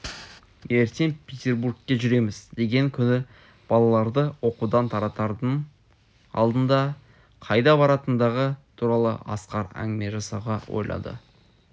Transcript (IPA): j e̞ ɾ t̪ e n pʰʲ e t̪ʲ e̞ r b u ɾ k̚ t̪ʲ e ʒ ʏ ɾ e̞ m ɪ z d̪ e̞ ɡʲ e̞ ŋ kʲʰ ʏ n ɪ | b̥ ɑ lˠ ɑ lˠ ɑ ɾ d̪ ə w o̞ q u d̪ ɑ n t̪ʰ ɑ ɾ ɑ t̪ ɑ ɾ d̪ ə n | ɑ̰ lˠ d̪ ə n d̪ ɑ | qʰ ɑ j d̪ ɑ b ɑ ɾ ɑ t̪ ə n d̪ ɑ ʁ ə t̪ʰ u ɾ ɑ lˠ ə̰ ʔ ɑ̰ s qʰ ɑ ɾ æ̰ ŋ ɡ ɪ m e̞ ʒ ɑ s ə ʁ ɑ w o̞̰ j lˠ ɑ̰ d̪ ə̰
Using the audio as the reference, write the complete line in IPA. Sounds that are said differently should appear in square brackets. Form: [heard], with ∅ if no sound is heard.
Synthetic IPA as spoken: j e̞ ɾ t̪ e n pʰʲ e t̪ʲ e̞ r b u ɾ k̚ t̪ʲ e ʒ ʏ ɾ e̞ m ɪ z d̪ e̞ ɡʲ e̞ ŋ kʲʰ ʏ n ɪ | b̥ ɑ lˠ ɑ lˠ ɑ ɾ d̪ ə w o̞ q u d̪ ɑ n t̪ʰ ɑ ɾ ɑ t̪ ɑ ɾ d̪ ə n | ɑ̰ lˠ d̪ ə n d̪ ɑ | qʰ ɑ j d̪ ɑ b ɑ ɾ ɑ t̪ ə n d̪ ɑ ʁ ə t̪ʰ u ɾ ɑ lˠ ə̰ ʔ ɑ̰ s [q] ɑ ɾ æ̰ ŋ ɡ ɪ m e̞ ʒ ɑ s [ɑ] ʁ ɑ w o̞̰ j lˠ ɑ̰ d̪ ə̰